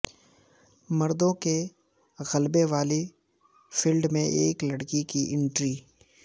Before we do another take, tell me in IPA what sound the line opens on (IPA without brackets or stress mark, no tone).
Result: m